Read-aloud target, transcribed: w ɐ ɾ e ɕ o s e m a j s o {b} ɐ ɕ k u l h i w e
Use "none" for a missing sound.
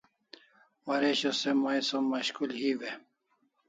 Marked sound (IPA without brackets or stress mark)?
m